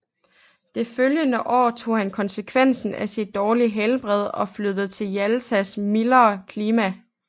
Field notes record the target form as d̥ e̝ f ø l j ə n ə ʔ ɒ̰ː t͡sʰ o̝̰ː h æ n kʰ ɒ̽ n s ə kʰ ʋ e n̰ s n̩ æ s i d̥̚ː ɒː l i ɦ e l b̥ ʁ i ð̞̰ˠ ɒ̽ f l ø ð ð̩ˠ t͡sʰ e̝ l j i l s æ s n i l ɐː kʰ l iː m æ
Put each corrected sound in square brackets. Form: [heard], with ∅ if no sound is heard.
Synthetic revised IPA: d̥ e̝ f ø l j ə n ə ʔ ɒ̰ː t͡sʰ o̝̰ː h æ n kʰ ɒ̽ n s ə kʰ ʋ e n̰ s n̩ æ s i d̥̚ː ɒː l i ɦ e l b̥ ʁ [ɛ] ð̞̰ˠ ɒ̽ f l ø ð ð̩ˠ t͡sʰ e̝ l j [æ] l s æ s [m] i l ɐː kʰ l iː m æ